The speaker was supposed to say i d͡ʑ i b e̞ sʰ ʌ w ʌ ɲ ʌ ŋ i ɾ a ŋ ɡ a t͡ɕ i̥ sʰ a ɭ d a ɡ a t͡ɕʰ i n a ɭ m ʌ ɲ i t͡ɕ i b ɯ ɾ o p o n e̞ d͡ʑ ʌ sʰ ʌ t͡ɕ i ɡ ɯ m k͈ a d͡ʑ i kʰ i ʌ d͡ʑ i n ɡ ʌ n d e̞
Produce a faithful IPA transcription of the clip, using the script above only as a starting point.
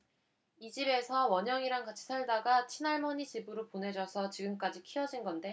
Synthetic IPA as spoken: i d͡ʑ i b e̞ sʰ ʌ w ʌ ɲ ʌ ŋ i ɾ a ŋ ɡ a t͡ɕʰ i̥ sʰ a ɭ d a ɡ a t͡ɕʰ i n a ɭ m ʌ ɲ i t͡ɕ i b ɯ ɾ o p o n e̞ d͡ʑ ʌ sʰ ʌ t͡ɕ i ɡ ɯ m k͈ a d͡ʑ i kʰ i ʌ d͡ʑ i n ɡ ʌ n d e̞